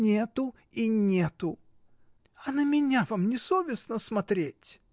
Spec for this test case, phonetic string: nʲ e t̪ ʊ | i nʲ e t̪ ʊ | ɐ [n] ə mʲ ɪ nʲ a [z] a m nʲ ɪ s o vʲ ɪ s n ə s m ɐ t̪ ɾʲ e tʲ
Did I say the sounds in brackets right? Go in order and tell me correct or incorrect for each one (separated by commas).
correct, incorrect